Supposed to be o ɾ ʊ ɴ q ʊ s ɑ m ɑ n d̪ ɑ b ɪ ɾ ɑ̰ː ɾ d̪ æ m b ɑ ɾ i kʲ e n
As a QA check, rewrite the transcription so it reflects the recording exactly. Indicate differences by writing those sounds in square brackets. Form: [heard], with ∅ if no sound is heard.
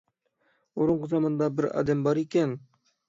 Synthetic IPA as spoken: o ɾ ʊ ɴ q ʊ [z] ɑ m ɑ n d̪ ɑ b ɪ ɾ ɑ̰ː [∅] d̪ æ m b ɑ ɾ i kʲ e n